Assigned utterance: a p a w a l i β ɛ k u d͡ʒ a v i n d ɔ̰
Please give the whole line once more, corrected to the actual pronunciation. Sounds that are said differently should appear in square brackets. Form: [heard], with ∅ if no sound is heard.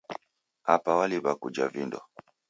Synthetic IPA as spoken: a p a w a l i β [a] k u d͡ʒ a v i n d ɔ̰